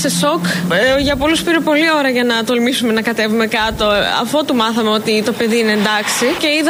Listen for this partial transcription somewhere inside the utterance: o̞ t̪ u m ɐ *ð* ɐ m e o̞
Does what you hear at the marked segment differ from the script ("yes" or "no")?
yes